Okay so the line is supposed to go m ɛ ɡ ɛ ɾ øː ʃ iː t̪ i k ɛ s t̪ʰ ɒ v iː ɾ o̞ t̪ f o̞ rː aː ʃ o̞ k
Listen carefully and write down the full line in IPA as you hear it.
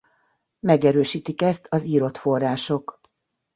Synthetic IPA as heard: m ɛ ɡ ɛ ɾ øː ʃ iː t̪ i k ɛ s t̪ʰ ɒ z iː ɾ o̞ t̪ f o̞ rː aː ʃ o̞ k